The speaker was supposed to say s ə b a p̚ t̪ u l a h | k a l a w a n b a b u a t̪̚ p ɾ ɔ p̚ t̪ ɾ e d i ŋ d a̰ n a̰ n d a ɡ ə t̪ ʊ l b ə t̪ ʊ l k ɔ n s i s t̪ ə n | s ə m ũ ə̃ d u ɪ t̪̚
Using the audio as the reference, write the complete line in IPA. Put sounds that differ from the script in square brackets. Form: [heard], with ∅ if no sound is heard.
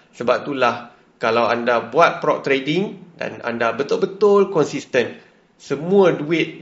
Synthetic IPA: s ə b a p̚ t̪ u l a h | k a l a w a n [d] a b u a t̪̚ p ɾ ɔ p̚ t̪ ɾ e d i ŋ d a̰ n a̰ n d a [b] ə t̪ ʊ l b ə t̪ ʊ l k ɔ n s i s t̪ ə n | s ə m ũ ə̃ d u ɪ t̪̚